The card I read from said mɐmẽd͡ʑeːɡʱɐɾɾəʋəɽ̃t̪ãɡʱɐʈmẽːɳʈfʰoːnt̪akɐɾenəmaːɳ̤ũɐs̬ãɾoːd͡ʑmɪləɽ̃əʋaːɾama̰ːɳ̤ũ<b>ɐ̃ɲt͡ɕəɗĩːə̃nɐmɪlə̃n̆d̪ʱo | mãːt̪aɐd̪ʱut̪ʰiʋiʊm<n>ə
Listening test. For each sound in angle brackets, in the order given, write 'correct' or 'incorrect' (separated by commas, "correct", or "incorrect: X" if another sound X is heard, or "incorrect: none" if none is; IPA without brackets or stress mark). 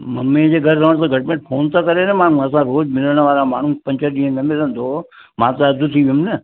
incorrect: p, correct